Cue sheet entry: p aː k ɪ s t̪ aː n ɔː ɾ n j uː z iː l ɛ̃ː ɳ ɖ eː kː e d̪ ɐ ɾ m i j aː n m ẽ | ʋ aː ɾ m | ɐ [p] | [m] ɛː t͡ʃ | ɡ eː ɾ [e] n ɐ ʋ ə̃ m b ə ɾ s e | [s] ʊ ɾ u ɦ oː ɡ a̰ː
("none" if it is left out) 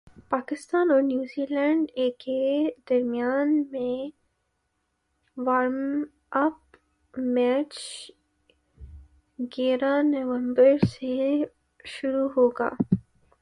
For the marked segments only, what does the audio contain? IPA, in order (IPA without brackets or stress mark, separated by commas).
p, m, a, ʃ